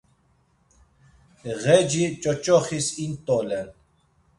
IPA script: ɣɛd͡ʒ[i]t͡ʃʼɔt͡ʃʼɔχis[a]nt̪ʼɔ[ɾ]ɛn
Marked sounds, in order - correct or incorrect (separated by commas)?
correct, incorrect, incorrect